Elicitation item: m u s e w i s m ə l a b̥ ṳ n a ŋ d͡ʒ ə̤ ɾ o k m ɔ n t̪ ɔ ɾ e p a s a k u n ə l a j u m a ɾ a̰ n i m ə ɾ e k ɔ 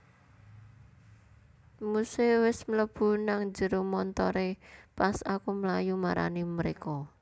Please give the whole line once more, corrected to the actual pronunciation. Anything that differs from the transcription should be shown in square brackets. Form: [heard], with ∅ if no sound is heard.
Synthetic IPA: m u s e w [ɪ] s m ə l [ə] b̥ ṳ n a ŋ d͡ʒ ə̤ ɾ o [∅] m ɔ n t̪ ɔ ɾ e p a s a k u [m] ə l a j u m a ɾ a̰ n i m ə ɾ e k ɔ